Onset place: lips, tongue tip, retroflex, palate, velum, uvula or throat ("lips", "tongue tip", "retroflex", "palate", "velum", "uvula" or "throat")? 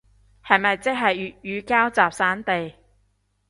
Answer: throat